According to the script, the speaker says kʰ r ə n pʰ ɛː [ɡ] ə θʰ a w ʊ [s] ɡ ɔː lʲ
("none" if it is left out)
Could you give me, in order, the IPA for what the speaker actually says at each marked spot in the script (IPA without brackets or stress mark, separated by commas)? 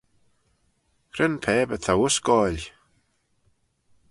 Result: b, s